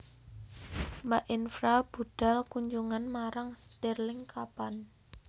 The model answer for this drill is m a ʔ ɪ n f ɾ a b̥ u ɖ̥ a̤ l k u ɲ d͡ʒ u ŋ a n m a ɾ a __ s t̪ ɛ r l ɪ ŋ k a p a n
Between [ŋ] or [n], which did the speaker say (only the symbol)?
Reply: ŋ